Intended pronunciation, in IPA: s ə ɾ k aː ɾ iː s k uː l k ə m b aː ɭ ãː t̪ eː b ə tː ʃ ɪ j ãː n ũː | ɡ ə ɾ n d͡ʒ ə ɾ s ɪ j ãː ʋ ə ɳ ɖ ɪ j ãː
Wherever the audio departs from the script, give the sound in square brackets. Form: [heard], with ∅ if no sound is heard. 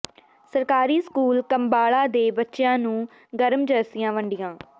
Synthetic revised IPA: s ə ɾ k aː ɾ iː s k uː l k ə m b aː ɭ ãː [d̪] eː b ə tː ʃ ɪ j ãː n ũː | ɡ ə ɾ [m] d͡ʒ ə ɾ s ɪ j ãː ʋ ə ɳ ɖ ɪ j ãː